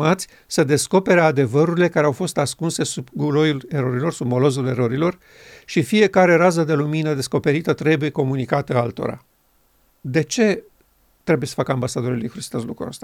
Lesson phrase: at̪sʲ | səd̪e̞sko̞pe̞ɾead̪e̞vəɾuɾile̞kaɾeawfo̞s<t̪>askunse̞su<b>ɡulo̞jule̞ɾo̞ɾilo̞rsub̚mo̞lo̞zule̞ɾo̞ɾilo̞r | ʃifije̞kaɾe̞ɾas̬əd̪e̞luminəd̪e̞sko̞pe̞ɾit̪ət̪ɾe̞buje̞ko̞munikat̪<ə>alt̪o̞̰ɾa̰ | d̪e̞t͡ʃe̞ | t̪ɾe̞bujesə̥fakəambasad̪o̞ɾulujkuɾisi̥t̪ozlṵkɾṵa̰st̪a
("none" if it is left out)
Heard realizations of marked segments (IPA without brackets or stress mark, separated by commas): t̪, b, ə